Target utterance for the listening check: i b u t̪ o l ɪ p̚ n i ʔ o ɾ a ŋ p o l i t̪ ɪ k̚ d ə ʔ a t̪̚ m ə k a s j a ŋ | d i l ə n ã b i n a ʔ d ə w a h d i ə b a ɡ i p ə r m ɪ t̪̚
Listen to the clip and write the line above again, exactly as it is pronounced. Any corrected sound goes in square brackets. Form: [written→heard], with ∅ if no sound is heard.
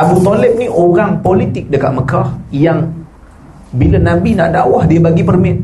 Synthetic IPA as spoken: [i→a] b u t̪ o l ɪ p̚ n i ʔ o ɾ a ŋ p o l i t̪ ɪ k̚ d ə [ʔ→k] a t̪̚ m ə k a [s→h] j a ŋ | [d→b] i l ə n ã b i n a ʔ d [ə→a] w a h d i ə b a ɡ i p ə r m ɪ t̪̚